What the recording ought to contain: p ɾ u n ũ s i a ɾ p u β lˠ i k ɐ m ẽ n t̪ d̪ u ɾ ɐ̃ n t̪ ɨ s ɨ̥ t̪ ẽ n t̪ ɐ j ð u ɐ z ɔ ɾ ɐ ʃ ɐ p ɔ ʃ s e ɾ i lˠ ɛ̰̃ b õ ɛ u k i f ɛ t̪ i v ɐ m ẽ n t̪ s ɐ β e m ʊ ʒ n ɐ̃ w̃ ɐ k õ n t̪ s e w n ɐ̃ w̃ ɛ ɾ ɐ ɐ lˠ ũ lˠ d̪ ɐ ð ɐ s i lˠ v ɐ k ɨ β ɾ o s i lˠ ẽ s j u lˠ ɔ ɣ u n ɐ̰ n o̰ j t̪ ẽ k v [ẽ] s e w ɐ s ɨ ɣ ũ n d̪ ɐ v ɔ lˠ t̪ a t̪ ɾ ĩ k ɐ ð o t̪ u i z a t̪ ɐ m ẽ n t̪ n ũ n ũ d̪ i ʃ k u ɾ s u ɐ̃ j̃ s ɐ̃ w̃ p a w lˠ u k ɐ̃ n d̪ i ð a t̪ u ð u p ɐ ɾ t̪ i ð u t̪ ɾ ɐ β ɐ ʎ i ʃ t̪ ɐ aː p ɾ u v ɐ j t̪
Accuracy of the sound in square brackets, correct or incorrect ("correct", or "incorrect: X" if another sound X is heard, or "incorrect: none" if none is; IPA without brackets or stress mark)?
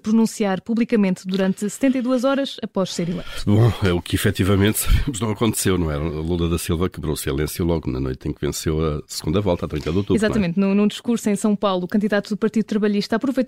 correct